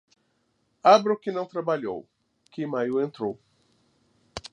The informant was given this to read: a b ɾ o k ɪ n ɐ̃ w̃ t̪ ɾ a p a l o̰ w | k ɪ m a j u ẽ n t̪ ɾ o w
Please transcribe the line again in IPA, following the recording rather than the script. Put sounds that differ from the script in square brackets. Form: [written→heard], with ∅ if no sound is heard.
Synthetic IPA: a b ɾ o k ɪ n ɐ̃ w̃ t̪ ɾ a [p→b] a [l→ʎ] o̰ w | k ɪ m a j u ẽ n t̪ ɾ o w